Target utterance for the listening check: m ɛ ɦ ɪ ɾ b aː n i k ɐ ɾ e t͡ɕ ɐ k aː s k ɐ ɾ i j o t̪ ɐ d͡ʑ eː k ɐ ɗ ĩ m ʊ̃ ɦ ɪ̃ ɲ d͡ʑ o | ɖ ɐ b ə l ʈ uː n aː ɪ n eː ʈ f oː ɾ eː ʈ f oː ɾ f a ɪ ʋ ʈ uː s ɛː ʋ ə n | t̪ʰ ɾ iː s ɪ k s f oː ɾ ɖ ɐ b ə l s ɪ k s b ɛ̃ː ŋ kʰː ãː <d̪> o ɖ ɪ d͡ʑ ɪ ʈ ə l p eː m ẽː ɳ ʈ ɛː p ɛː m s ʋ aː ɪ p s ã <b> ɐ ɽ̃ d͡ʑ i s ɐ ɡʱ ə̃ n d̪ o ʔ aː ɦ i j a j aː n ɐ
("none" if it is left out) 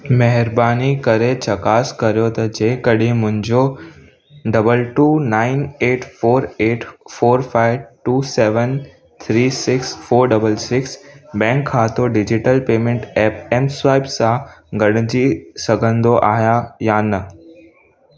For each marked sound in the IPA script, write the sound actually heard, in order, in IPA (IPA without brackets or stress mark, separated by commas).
t̪, ɡ